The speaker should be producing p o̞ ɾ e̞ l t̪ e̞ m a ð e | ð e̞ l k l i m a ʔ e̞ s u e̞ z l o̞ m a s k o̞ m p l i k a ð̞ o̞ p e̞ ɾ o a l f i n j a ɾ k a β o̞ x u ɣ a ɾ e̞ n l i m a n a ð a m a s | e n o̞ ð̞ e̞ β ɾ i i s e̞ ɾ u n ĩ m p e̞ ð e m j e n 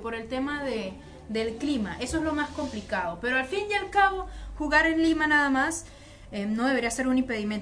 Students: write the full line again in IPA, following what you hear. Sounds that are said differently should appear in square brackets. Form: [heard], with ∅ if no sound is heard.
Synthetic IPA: p o̞ ɾ e̞ l t̪ e̞ m a ð e | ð e̞ l k l i m a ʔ e̞ s [o] e̞ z l o̞ m a s k o̞ m p l i k a ð̞ o̞ p e̞ ɾ o a l f i n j a [l] k a β o̞ x u ɣ a ɾ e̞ n l i m a n a ð a m a s | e n o̞ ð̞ e̞ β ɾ i [a] s e̞ ɾ u n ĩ m p e̞ ð [i] m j e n